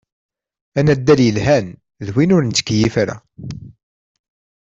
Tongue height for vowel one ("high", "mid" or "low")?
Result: low